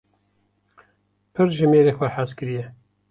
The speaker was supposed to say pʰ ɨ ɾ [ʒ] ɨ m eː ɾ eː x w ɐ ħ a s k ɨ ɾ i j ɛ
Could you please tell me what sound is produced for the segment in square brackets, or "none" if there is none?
ʒ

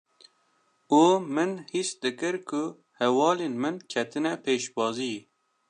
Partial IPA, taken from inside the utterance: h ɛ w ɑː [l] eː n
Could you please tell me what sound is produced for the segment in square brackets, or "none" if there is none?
l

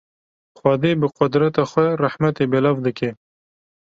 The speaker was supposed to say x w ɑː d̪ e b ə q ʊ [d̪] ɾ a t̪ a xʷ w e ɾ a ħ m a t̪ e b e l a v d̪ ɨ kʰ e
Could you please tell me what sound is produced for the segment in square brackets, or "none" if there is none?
d̪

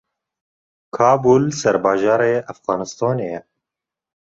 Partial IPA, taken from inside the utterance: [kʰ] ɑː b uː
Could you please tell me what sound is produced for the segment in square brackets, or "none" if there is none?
kʰ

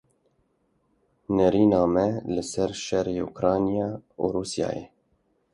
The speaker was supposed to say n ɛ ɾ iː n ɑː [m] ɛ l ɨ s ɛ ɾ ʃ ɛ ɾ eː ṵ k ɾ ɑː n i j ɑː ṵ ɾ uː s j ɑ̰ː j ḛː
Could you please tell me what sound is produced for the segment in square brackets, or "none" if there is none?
m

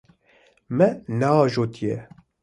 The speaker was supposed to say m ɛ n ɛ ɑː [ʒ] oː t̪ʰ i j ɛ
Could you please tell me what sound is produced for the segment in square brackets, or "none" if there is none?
ʒ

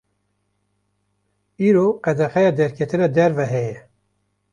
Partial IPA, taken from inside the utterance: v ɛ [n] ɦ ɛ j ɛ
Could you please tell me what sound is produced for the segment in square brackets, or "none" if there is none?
none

